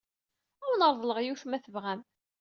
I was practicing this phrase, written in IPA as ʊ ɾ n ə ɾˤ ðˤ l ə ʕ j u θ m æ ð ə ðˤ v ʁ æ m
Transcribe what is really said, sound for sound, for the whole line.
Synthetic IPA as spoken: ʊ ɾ n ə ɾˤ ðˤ l ə ʁ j u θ m æ θ ə v ʁ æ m

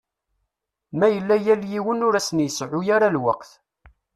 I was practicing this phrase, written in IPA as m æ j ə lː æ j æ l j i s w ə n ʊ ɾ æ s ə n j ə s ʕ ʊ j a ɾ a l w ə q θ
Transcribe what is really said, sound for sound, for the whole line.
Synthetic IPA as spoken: m æ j ə lː æ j æ l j i w ə n ʊ ɾ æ s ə n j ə s ʕ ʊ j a ɾ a l w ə q θ

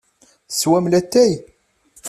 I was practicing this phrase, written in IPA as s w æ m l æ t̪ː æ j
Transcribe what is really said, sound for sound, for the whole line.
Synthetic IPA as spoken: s w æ m l æ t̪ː æ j

